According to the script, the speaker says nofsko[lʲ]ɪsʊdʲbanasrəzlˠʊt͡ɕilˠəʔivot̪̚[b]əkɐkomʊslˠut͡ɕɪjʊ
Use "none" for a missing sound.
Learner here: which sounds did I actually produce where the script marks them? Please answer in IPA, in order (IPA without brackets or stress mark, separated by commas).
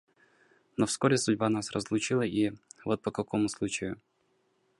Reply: ɾʲ, p